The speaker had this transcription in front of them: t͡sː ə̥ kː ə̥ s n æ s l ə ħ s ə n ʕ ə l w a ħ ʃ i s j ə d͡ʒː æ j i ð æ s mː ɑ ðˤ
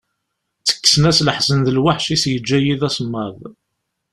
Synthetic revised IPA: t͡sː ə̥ kː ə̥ s n æ s l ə ħ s ə n ð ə l w a ħ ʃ i s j ə d͡ʒː æ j i ð æ s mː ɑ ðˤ